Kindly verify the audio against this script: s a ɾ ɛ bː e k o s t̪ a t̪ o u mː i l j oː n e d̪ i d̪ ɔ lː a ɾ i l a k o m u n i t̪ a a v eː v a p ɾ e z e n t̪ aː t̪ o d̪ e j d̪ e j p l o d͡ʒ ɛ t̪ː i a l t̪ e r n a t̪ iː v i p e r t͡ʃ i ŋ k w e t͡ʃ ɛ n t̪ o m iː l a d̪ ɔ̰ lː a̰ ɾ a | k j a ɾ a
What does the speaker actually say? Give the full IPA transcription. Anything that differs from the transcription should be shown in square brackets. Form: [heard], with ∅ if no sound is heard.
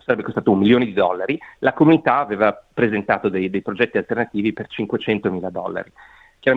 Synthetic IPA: s a ɾ ɛ bː e k o s t̪ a t̪ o u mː i l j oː n e d̪ i d̪ ɔ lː a ɾ i l a k o m u n i t̪ a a v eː v a p ɾ e z e n t̪ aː t̪ o d̪ e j d̪ e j p [ɾ] o d͡ʒ ɛ t̪ː i a l t̪ e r n a t̪ iː v i p e r t͡ʃ i ŋ k w e t͡ʃ ɛ n t̪ o m iː l a d̪ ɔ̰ lː a̰ ɾ [i] | k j a ɾ a